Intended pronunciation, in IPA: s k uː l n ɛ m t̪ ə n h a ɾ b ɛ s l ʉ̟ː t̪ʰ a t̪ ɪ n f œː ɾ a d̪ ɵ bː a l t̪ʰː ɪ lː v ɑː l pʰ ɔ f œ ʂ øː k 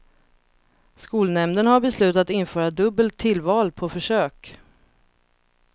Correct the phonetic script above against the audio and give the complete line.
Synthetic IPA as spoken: s k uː l n ɛ m d̪ ə n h a ɾ b ɛ s l ʉ̟ː t̪ a t̪ ɪ n f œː ɾ a d̪ ɵ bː ə l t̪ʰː ɪ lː v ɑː l pʰ ɔ f œ ʂ øː k